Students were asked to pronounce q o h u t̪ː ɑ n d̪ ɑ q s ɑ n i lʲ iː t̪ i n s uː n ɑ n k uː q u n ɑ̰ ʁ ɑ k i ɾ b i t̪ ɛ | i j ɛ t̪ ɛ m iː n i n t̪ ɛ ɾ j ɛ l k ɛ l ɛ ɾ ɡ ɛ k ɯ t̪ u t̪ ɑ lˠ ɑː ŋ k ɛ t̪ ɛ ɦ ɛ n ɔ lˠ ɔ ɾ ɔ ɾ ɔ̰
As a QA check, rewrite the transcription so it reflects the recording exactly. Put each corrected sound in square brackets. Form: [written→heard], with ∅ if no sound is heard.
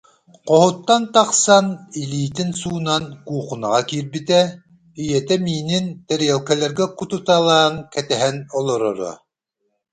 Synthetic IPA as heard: q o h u t̪ː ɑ n [d̪→t̪] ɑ q s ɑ n i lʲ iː t̪ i n s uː n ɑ n k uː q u n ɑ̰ ʁ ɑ k i ɾ b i t̪ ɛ | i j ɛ t̪ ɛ m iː n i n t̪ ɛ ɾ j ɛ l k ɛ l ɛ ɾ ɡ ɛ k [ɯ→u] t̪ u t̪ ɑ lˠ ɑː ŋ k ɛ t̪ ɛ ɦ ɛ n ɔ lˠ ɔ ɾ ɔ ɾ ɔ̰